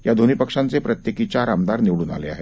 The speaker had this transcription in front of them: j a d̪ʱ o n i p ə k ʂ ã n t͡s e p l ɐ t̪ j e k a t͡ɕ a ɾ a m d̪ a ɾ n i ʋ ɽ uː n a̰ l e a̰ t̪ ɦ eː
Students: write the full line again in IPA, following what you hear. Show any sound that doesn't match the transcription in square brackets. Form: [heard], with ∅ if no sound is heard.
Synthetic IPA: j a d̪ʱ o n i p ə k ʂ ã n t͡s e p [ɾ] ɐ t̪ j e k [i] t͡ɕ a ɾ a m d̪ a ɾ n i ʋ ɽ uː n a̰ l e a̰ [∅] ɦ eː